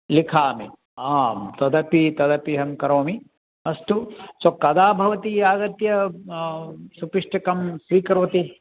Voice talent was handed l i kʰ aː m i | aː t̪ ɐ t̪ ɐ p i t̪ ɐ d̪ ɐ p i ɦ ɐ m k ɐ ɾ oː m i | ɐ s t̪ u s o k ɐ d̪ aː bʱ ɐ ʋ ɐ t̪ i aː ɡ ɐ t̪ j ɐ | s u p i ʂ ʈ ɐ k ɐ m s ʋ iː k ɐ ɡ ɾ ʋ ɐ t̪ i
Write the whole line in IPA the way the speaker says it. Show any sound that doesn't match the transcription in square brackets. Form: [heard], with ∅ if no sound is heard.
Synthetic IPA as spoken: l i kʰ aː m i | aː t̪ ɐ [d̪] ɐ p i t̪ ɐ d̪ ɐ p i ɦ ɐ m k ɐ ɾ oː m i | ɐ s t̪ u s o k ɐ d̪ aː bʱ ɐ ʋ ɐ t̪ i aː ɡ ɐ t̪ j ɐ | s u p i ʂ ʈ ɐ k ɐ m s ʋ iː k ɐ [∅] ɾ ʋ ɐ t̪ i